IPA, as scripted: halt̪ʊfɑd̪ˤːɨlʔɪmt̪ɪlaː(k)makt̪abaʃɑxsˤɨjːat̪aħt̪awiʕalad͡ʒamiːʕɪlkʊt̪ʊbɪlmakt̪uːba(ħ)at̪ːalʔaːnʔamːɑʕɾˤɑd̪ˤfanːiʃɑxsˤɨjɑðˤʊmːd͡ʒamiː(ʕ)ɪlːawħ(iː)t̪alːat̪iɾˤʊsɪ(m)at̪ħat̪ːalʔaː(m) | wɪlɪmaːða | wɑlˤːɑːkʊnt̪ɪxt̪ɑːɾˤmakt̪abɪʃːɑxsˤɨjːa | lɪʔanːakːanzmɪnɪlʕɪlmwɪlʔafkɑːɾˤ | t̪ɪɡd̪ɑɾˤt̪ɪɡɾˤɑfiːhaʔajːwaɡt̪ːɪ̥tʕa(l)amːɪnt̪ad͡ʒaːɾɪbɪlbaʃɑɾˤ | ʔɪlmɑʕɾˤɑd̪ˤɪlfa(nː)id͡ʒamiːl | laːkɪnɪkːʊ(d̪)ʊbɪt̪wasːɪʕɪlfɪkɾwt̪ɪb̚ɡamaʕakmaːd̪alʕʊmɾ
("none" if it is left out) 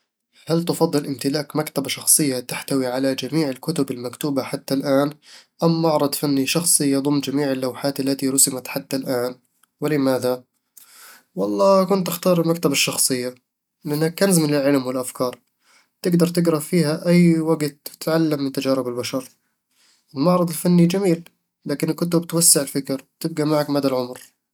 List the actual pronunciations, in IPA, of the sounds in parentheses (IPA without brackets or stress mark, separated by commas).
k, ħ, ʕ, aː, m, n, lː, nː, t̪